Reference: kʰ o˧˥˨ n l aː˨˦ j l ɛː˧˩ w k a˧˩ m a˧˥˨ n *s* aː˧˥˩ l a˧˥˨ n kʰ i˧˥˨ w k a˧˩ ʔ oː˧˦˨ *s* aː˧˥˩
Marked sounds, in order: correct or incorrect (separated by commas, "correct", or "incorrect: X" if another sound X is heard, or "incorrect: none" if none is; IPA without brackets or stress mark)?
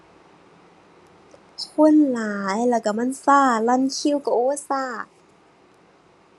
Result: correct, correct